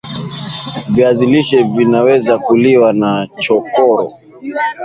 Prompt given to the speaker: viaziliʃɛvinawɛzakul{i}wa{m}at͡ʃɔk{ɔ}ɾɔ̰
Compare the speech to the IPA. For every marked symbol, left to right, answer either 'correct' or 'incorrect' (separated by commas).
correct, incorrect, correct